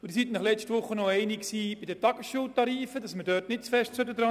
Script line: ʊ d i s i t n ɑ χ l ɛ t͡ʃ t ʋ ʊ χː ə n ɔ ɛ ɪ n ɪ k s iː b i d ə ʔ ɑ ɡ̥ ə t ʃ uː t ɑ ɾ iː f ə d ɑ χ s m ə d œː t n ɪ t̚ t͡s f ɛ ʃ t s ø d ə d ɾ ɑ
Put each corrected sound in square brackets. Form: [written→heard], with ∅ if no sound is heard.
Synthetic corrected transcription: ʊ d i s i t n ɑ χ l ɛ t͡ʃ t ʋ ʊ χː ə n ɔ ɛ ɪ n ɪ k s iː b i d ə [ʔ→t] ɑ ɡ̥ ə [t→s] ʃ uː t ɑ ɾ iː f ə d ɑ [χ→∅] s m ə d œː t n ɪ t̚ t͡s f ɛ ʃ t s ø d ə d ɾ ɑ